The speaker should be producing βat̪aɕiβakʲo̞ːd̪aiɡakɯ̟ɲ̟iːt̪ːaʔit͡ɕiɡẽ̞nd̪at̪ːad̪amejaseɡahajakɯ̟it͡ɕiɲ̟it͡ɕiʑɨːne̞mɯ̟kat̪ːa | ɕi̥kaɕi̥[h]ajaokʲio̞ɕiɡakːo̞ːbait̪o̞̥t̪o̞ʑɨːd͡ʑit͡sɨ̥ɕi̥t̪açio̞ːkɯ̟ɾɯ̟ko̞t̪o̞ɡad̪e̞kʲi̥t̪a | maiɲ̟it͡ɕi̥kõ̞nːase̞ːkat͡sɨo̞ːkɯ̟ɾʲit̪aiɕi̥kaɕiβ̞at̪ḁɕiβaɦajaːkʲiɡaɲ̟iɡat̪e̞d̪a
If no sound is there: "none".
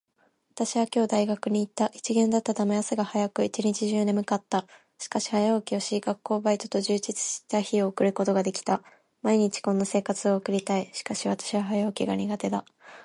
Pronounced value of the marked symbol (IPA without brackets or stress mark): h